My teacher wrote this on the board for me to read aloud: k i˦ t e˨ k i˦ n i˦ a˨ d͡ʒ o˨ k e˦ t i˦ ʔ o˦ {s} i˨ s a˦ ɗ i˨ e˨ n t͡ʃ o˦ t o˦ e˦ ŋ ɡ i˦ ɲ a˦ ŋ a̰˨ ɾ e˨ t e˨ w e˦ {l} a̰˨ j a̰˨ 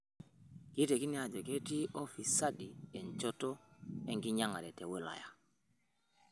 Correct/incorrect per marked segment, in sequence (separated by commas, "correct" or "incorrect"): incorrect, correct